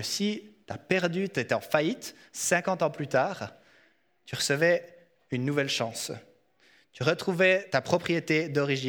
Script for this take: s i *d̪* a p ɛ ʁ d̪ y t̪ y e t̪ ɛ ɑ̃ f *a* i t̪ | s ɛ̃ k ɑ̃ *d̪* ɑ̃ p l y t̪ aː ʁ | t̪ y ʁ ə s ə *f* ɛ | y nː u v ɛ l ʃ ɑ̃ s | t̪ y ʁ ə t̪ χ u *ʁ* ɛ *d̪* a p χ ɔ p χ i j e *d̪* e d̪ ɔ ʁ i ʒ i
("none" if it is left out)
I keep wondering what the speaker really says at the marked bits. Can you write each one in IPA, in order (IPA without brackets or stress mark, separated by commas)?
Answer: t̪, a, t̪, v, v, t̪, t̪